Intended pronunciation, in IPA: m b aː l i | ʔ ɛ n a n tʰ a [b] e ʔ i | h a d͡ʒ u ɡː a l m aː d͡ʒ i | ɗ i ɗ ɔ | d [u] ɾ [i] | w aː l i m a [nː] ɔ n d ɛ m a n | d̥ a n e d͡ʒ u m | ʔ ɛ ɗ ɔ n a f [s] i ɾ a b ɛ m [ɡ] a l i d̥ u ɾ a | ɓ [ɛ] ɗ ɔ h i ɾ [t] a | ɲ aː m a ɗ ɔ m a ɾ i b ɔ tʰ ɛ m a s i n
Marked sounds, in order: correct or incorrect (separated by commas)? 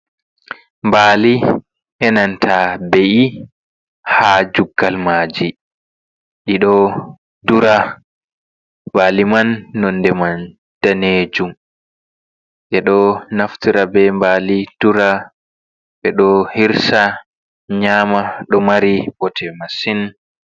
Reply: correct, correct, incorrect, correct, incorrect, incorrect, correct, incorrect